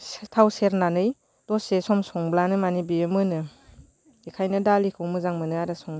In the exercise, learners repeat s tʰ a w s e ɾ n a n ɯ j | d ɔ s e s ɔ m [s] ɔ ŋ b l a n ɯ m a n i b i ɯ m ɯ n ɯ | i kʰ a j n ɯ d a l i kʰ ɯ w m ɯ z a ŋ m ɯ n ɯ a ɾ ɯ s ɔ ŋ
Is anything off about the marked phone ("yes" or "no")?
no